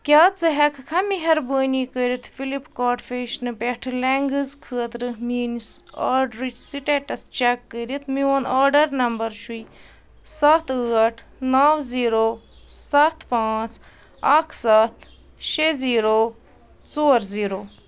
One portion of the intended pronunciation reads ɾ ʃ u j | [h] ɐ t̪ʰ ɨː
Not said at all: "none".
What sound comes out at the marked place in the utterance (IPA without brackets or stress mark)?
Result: s